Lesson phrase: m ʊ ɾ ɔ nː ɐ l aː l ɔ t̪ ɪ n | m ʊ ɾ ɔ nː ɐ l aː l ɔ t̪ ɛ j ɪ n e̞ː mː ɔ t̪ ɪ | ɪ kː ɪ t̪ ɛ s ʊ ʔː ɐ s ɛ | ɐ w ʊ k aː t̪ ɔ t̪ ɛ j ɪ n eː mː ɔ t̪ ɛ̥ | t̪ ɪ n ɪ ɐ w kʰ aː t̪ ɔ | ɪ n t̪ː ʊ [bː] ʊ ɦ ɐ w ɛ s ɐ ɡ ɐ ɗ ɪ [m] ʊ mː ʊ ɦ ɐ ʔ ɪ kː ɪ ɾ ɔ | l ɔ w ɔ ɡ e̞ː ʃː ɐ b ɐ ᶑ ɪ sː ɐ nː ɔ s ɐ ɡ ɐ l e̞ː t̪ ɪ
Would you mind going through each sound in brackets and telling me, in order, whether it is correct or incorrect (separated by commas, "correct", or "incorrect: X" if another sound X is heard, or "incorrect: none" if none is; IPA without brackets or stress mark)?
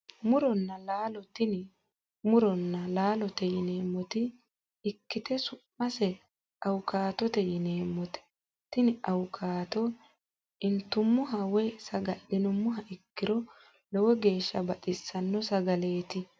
incorrect: mː, incorrect: n